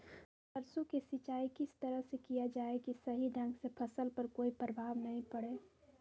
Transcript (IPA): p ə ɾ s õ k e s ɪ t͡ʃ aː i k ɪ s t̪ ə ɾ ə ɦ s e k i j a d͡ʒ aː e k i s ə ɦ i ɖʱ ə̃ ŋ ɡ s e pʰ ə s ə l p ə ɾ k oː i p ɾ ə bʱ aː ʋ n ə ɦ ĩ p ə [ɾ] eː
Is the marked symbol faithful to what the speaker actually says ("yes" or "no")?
no